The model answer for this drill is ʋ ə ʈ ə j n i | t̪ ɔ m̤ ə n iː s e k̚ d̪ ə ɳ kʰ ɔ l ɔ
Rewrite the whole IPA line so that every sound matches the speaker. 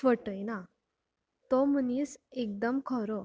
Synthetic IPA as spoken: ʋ ə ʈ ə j n a | t̪ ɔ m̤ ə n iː s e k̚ d̪ ə m kʰ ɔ ɾ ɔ